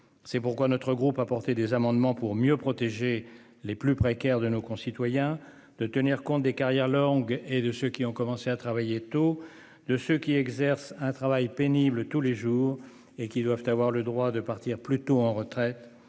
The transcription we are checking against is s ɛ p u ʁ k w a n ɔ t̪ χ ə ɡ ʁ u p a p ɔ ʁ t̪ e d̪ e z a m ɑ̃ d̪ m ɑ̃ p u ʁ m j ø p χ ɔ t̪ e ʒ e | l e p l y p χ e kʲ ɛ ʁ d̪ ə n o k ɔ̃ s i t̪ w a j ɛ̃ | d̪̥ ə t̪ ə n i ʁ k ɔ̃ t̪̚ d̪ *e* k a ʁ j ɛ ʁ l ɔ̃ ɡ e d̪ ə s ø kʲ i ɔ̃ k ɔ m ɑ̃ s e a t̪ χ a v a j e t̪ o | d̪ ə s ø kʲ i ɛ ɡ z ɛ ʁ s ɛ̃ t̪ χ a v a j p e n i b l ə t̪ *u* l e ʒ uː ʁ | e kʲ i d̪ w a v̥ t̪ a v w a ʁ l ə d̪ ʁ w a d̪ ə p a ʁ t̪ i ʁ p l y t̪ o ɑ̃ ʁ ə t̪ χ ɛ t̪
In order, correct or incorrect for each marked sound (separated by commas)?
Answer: correct, correct